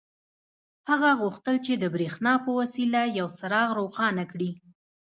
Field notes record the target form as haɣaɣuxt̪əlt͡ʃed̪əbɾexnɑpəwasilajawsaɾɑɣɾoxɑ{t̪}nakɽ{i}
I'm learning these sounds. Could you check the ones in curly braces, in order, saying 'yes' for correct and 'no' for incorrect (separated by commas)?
no, yes